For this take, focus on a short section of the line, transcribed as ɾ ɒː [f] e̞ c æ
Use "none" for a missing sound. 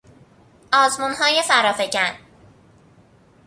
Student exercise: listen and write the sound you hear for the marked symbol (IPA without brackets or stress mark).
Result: f